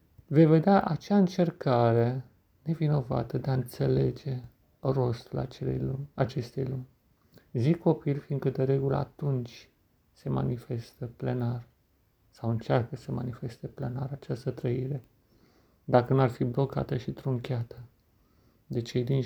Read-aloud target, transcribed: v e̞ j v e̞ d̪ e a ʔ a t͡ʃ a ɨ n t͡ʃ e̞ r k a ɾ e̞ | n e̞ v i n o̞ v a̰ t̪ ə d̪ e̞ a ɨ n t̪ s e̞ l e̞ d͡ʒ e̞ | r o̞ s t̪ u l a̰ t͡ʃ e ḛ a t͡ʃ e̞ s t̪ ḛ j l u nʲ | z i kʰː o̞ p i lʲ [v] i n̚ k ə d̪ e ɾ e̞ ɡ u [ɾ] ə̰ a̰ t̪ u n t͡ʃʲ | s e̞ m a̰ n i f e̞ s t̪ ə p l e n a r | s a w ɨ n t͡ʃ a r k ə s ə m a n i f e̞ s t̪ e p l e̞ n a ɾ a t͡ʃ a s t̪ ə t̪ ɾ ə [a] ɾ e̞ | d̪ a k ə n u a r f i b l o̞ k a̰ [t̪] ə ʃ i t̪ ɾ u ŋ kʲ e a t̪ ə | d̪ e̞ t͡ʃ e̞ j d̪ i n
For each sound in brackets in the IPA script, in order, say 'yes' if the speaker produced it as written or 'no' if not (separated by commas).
no, no, no, yes